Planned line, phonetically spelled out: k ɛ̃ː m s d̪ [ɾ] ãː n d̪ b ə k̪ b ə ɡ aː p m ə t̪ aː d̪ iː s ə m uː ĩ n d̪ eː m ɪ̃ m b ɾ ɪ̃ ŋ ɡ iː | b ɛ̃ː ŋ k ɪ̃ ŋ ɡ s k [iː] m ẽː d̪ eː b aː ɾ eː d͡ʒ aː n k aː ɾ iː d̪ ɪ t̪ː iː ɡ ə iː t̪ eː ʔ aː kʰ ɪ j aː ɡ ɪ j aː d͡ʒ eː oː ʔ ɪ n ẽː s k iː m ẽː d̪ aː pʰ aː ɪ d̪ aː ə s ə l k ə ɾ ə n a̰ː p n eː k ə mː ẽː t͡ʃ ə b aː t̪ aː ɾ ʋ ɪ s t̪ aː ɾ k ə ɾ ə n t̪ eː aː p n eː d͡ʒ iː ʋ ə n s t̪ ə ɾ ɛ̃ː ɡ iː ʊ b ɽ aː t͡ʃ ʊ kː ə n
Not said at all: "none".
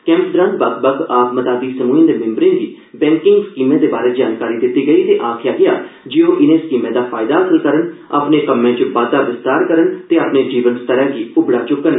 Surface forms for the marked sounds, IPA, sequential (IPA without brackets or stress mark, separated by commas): ɾ, iː